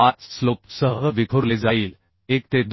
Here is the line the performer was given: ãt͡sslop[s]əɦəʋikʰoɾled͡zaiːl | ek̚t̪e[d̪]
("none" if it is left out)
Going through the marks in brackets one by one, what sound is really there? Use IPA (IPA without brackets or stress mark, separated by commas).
s, d̪